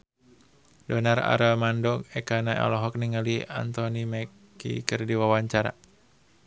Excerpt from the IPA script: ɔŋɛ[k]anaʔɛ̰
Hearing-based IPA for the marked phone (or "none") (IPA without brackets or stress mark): k